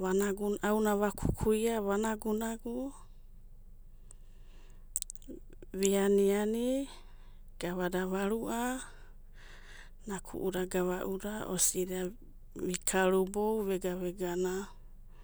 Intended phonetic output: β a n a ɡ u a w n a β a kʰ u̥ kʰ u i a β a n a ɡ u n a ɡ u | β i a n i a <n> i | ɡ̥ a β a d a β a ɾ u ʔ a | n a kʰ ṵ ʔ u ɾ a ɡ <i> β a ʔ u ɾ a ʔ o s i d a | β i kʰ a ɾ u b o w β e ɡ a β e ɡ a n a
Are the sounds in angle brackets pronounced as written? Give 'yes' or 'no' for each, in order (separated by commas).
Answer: yes, no